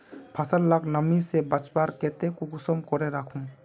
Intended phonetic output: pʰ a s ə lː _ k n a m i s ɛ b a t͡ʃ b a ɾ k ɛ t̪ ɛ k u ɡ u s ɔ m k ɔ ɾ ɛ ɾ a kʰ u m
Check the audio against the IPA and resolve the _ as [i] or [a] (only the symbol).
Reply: a